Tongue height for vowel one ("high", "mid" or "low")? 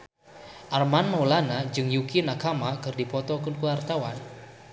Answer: low